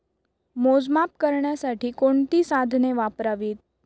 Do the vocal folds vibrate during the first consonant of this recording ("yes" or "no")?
yes